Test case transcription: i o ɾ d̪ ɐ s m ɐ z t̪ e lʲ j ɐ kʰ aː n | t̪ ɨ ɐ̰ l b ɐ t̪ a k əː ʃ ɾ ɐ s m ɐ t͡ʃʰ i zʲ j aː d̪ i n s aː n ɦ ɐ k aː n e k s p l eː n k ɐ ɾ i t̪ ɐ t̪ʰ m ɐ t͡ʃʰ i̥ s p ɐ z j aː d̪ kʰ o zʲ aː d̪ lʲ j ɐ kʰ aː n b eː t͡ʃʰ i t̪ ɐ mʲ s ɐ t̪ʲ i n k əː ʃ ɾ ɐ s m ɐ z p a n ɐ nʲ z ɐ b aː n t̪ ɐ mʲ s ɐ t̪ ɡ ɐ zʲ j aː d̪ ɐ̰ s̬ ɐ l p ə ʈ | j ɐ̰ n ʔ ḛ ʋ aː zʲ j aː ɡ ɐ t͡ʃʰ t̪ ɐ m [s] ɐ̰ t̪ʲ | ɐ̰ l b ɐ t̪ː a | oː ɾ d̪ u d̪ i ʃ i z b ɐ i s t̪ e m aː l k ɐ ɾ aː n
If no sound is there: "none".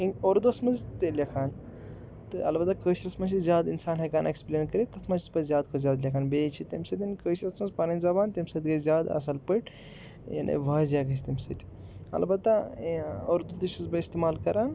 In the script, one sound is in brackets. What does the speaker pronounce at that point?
s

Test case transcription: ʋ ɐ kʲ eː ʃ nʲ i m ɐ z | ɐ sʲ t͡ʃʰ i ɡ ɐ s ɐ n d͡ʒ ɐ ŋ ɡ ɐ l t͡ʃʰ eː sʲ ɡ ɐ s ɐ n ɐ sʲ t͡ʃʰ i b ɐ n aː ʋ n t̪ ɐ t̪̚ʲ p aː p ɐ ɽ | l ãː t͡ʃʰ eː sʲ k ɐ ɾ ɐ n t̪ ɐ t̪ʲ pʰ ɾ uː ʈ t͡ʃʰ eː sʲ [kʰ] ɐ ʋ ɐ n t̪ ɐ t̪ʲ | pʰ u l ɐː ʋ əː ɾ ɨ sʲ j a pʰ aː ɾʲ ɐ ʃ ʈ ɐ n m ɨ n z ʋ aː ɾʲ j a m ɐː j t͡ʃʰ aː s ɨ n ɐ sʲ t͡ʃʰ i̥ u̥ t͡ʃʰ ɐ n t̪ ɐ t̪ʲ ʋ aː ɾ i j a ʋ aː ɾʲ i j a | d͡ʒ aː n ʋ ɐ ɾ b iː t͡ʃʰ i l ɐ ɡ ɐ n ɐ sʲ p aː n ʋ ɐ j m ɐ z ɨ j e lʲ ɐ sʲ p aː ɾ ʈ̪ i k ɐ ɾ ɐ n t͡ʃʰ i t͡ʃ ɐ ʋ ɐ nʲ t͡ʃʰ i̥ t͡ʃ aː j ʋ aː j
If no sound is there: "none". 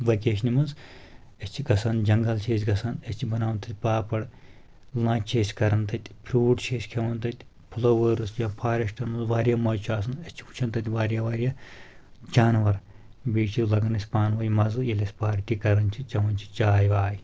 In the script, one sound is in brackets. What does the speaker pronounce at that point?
kʰ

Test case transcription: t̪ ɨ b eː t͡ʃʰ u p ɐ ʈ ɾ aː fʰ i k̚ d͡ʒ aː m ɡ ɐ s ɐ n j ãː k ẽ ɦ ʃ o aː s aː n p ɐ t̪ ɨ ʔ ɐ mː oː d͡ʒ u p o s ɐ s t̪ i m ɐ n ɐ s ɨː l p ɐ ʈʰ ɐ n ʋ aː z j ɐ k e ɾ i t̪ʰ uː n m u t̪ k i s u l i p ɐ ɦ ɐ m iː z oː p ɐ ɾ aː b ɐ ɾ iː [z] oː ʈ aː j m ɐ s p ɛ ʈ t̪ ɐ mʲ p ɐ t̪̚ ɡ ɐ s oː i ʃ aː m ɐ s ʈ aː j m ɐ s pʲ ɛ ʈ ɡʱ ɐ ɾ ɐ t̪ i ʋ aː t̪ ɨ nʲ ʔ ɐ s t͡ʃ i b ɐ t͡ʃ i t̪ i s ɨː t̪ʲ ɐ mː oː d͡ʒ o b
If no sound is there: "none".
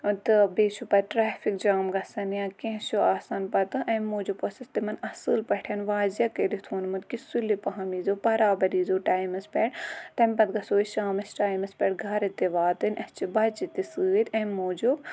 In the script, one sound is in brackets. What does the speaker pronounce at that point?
z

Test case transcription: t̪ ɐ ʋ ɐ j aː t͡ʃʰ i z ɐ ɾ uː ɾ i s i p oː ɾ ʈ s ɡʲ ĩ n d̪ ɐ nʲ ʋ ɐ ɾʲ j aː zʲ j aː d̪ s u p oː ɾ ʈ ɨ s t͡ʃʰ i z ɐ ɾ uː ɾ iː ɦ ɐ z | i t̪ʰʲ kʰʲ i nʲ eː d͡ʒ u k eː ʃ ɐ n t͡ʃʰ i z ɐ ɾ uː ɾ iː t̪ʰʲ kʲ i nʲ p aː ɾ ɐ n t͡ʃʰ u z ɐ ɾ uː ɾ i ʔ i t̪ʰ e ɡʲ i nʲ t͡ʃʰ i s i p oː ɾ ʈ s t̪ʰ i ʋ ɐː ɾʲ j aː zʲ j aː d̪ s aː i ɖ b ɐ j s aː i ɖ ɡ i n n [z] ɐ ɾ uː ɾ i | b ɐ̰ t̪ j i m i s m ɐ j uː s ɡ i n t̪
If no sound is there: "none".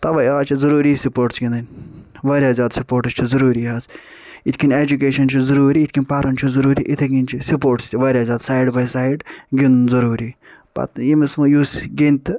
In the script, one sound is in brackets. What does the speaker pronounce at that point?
z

